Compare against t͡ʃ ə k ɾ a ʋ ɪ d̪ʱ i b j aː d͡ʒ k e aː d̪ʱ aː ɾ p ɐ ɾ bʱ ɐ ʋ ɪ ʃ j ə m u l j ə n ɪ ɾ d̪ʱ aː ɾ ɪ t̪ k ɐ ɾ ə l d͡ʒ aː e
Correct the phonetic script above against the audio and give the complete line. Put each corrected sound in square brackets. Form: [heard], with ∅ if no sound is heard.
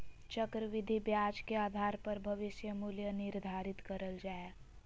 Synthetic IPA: t͡ʃ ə k ɾ [ə] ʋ ɪ d̪ʱ i b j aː d͡ʒ k e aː d̪ʱ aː ɾ p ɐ ɾ bʱ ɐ ʋ ɪ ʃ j ə m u l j ə n ɪ ɾ d̪ʱ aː ɾ ɪ t̪ k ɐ ɾ ə l d͡ʒ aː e